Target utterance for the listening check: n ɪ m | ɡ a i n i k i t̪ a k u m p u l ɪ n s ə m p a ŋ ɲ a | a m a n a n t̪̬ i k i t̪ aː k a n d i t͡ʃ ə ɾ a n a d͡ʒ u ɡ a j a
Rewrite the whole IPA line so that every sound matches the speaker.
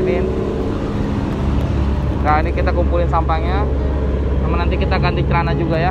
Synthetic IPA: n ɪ n | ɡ a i n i k i t̪ a k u m p u l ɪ n s a m p a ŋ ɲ a | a m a n a n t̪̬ i k i t̪ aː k a n d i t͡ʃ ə ɾ a n a d͡ʒ u ɡ a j a